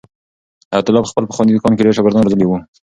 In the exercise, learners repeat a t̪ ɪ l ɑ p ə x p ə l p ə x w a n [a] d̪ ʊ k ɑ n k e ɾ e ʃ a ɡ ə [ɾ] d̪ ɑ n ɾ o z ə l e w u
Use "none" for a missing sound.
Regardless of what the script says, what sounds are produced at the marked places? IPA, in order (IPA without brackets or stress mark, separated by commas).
i, ɾ